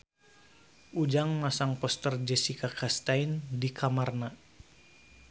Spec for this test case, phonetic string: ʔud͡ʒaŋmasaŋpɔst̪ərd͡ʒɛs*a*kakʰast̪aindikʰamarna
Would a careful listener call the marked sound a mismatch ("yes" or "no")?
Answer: yes